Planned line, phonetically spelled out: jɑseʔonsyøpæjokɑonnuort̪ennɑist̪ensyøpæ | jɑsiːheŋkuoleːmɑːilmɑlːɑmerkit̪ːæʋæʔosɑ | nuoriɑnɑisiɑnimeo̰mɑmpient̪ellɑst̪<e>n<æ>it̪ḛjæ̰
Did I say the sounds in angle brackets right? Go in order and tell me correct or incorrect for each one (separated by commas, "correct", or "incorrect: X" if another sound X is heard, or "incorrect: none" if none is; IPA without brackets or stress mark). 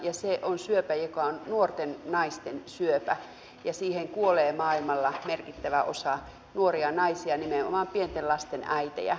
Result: correct, correct